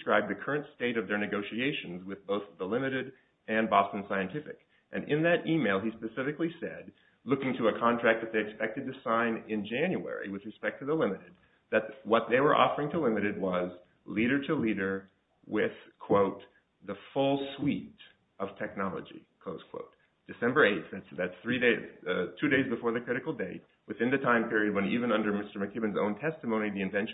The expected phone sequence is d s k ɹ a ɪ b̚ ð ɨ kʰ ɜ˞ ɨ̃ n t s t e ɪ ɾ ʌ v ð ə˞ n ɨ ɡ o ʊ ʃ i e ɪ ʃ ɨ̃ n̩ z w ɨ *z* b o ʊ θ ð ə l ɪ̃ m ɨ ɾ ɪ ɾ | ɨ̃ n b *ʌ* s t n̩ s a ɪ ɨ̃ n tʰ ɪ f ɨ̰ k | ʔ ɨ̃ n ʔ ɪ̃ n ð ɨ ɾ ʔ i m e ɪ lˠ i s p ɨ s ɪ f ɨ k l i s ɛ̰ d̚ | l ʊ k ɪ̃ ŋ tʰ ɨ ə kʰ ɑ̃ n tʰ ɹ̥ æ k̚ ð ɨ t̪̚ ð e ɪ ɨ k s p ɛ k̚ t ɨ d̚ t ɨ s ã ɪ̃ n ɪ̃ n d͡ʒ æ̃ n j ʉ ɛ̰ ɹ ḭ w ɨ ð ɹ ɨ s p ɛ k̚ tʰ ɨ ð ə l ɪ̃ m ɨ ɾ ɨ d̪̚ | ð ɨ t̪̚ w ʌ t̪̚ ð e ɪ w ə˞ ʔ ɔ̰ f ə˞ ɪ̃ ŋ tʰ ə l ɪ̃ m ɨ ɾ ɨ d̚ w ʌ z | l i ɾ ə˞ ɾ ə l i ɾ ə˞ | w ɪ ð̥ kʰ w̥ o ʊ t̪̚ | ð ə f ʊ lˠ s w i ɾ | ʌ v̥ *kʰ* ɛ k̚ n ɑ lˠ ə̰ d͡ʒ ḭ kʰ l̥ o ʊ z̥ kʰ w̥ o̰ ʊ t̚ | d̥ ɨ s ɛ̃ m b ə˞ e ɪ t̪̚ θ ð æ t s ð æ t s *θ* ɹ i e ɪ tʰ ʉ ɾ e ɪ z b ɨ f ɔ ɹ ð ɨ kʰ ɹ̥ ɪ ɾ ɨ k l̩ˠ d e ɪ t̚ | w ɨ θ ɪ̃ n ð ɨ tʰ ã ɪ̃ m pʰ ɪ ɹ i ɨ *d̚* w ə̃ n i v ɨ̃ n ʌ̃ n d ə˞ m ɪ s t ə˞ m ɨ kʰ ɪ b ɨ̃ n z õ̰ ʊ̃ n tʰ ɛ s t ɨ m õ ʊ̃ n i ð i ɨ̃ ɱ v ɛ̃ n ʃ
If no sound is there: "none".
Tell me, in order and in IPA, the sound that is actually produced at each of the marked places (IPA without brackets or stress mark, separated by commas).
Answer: ð, ɑ, tʰ, θ, d̚